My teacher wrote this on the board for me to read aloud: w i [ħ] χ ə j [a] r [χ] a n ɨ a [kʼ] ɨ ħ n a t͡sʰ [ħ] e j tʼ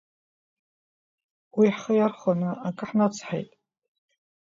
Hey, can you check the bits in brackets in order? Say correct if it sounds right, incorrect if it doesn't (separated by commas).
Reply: correct, correct, correct, correct, correct